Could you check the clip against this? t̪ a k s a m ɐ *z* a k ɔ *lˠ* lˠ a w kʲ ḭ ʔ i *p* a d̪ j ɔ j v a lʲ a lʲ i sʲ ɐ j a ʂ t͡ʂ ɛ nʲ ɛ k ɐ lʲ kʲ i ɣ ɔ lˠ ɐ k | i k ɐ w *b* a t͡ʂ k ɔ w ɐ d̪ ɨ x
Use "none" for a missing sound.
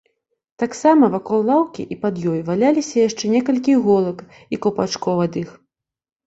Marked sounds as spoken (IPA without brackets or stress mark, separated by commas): v, lˠ, p, p